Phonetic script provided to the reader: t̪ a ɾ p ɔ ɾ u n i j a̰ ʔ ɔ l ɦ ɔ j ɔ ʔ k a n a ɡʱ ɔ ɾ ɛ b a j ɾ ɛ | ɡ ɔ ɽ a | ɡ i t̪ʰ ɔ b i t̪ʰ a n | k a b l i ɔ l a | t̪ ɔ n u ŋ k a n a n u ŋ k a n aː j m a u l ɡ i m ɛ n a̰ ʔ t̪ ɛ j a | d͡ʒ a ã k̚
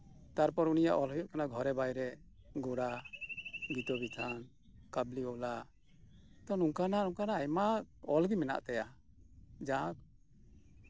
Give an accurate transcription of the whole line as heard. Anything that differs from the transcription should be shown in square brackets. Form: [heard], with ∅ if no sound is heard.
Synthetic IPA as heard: t̪ a ɾ p ɔ ɾ u n i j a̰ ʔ ɔ l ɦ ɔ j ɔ ʔ k a n a ɡʱ ɔ ɾ ɛ b a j ɾ ɛ | ɡ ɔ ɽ a | ɡ i [t̪] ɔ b i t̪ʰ a n | k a b l i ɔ l a | t̪ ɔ n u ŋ k a n a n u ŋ k a n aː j m a [ɔ] l ɡ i m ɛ n a̰ ʔ t̪ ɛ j a | d͡ʒ a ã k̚